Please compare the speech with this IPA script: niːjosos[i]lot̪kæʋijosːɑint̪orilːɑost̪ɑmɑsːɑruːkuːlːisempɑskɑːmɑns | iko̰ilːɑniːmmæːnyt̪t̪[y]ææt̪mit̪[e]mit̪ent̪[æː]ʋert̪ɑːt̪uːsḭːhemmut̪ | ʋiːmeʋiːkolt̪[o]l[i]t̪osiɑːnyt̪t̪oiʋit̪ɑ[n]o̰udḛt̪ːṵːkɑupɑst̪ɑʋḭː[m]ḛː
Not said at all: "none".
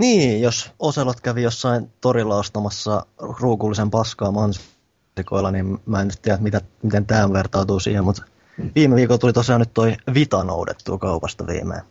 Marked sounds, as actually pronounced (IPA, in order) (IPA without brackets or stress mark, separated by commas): e, i, æ, æː, u, i, n, m